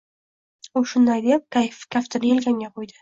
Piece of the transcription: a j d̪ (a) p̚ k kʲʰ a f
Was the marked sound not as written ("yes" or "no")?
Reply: yes